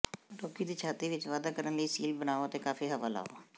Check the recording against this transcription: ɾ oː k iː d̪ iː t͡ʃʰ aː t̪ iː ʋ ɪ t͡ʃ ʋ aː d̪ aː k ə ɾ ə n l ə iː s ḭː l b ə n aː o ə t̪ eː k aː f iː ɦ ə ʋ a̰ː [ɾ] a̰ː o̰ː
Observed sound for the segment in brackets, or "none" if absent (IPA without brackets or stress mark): l